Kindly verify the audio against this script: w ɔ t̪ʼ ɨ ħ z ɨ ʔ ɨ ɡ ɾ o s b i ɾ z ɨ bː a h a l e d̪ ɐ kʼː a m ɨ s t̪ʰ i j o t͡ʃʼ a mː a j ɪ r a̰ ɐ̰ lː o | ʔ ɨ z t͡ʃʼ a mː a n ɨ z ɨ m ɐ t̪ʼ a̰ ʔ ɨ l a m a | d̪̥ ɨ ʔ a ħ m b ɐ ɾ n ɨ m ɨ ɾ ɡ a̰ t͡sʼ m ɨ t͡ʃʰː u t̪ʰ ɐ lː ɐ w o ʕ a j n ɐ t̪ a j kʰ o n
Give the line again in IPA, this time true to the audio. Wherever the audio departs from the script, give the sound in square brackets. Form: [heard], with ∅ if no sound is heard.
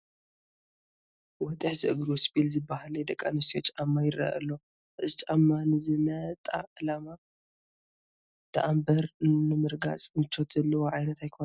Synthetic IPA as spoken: w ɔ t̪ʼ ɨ ħ z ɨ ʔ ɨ ɡ ɾ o s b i [l] z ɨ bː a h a l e d̪ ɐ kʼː a [n] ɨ s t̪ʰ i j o t͡ʃʼ a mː a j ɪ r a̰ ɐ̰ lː o | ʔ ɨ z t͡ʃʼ a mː a n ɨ z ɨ m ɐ t̪ʼ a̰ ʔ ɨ l a m a | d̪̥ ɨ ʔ a [∅] m b ɐ ɾ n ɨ m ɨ ɾ ɡ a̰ t͡sʼ m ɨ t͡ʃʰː [o] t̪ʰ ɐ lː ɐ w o ʕ a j n ɐ t̪ a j kʰ o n